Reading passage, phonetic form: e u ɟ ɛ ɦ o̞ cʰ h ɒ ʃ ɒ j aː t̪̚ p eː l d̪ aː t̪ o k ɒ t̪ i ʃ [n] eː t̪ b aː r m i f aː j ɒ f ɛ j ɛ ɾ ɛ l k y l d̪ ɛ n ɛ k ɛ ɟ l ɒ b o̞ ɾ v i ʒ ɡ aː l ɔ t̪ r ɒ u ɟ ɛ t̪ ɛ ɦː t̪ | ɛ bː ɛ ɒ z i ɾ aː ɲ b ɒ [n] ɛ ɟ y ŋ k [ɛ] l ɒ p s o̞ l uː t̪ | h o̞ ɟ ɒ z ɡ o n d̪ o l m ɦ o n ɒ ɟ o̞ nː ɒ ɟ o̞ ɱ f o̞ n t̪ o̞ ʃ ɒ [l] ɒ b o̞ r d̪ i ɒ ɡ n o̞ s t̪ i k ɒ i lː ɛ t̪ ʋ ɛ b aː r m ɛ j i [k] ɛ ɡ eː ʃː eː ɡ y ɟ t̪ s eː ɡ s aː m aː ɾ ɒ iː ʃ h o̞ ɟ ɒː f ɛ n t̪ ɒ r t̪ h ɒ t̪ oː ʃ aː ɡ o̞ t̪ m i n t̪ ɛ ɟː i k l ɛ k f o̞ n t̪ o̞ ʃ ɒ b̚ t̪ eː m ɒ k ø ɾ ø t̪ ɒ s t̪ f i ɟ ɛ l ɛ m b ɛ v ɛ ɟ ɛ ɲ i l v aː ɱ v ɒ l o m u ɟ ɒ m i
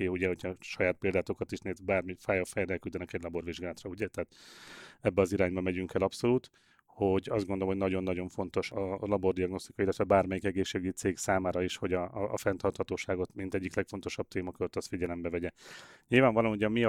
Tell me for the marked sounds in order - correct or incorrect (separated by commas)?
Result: correct, incorrect, correct, correct, correct